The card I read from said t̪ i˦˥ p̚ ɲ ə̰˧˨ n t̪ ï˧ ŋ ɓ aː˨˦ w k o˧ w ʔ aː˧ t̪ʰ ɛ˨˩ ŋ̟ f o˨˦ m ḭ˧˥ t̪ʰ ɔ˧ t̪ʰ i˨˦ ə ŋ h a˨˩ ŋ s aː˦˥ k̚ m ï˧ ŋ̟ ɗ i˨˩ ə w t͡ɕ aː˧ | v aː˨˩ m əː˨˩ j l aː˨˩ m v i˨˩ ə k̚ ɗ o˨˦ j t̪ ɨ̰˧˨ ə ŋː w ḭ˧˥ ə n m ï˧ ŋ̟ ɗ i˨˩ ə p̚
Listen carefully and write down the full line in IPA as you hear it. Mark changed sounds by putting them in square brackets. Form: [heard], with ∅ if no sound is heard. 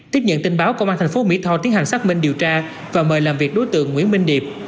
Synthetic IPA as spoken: t̪ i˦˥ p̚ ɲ ə̰˧˨ n t̪ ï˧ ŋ ɓ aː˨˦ w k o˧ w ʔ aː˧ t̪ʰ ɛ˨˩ ŋ̟ f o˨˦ m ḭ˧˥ t̪ʰ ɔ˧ [t̪] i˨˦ ə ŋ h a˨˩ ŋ s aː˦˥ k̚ m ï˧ ŋ̟ ɗ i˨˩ ə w t͡ɕ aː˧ | v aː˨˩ m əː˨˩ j l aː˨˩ m v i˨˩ ə k̚ ɗ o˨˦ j t̪ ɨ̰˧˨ ə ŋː w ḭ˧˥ ə n m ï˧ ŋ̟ ɗ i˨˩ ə p̚